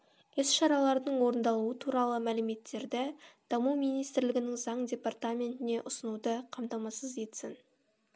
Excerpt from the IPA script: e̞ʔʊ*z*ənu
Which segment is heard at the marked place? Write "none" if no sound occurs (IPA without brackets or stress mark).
s